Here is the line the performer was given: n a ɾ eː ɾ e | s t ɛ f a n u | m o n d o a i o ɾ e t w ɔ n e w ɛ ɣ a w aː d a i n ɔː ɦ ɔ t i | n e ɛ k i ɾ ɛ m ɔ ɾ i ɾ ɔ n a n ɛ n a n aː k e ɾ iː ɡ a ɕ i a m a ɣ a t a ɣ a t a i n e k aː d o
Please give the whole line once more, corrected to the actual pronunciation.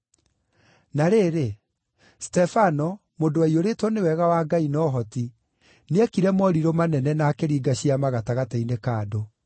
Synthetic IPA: n a ɾ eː ɾ e | s t ɛ f a n ɔ | m o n d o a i o ɾ e t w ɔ n e w ɛ ɣ a w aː ɡ a i n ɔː ɦ ɔ t i | n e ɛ k i ɾ ɛ m ɔ ɾ i ɾ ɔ m a n ɛ n ɛ n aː k e ɾ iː ɡ a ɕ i a m a ɣ a t a ɣ a t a i n e k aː d o